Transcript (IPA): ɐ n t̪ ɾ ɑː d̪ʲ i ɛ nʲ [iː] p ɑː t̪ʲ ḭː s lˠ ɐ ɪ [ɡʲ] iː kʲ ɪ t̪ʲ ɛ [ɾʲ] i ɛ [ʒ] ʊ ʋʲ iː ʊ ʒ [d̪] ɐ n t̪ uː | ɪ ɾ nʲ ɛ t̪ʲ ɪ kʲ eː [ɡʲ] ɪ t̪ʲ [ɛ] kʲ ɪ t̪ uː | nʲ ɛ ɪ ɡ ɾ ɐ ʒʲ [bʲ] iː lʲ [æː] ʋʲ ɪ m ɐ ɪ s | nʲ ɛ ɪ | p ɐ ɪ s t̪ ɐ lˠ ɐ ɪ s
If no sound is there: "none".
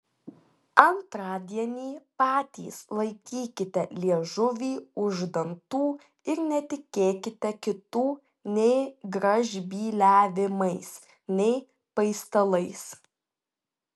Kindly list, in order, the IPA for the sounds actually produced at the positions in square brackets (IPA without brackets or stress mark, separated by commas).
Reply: iː, kʲ, lʲ, ʒ, d̪, kʲ, ɛ, bʲ, æː